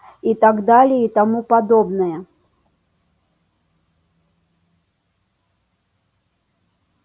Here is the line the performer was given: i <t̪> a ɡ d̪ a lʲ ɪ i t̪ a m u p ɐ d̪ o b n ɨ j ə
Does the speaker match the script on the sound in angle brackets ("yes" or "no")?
yes